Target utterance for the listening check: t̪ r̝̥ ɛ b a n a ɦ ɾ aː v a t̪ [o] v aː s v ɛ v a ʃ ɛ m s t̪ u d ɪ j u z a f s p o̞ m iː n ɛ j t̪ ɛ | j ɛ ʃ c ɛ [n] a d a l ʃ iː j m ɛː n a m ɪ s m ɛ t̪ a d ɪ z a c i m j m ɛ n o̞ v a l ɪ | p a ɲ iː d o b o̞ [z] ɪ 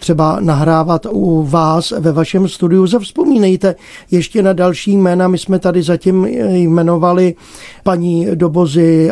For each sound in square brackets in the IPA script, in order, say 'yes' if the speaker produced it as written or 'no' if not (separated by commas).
no, yes, yes